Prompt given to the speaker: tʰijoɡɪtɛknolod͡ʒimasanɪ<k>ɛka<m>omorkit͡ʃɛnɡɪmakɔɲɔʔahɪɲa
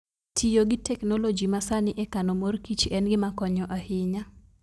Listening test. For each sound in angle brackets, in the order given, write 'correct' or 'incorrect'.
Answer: incorrect: ʔ, incorrect: n

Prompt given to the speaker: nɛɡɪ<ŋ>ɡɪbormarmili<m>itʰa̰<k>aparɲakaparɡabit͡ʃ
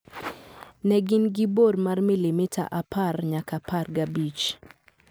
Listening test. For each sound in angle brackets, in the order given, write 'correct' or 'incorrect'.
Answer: incorrect: n, correct, incorrect: ʔ

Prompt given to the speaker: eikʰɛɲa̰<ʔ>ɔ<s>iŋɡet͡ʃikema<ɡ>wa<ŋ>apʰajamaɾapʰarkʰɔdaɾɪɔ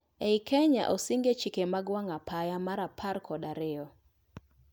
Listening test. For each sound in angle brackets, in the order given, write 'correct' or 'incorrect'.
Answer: correct, correct, correct, correct

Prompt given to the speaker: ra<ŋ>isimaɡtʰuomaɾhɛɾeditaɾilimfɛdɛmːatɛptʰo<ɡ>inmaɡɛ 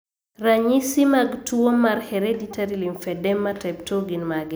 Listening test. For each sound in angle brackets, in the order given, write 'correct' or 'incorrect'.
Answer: incorrect: ɲ, correct

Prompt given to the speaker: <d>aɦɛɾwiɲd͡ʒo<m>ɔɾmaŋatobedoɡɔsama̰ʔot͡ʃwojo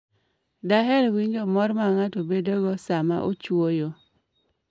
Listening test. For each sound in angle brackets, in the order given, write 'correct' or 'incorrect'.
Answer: correct, correct

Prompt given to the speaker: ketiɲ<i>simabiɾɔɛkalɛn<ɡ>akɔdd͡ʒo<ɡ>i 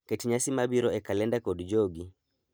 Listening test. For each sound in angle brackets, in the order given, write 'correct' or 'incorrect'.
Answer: incorrect: a, incorrect: d, correct

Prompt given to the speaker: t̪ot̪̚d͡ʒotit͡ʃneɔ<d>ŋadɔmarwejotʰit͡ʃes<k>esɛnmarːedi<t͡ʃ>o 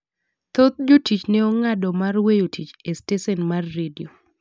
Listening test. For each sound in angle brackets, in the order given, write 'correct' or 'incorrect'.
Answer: incorrect: none, incorrect: t, incorrect: none

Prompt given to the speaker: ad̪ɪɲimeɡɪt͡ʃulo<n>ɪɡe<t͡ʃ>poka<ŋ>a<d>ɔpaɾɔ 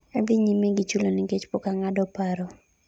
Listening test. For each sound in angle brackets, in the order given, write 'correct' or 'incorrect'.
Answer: correct, correct, correct, correct

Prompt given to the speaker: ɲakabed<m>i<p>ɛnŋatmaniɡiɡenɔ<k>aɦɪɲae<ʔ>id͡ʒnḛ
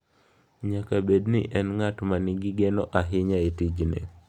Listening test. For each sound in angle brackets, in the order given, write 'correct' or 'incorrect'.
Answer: incorrect: n, incorrect: ʔ, incorrect: ʔ, incorrect: t

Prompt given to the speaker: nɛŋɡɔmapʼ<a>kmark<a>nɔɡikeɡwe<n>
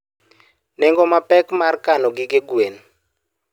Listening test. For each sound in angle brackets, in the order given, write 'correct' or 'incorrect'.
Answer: incorrect: ɛ, correct, correct

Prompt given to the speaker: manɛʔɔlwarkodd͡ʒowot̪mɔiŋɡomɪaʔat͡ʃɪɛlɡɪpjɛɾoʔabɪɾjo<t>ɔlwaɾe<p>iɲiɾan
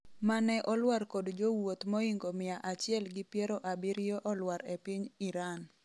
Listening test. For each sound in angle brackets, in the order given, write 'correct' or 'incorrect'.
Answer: incorrect: ʔ, correct

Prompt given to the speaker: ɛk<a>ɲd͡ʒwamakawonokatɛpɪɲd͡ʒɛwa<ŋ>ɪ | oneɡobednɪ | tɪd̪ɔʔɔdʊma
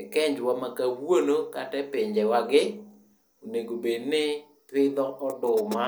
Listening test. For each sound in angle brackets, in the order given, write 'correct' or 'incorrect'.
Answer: incorrect: ɛ, incorrect: ɡ

